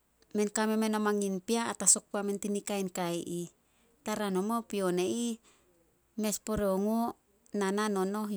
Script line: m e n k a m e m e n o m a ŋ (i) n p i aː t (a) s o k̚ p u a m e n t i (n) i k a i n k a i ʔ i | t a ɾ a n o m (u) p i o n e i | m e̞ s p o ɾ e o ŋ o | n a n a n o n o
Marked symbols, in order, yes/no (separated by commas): yes, yes, yes, no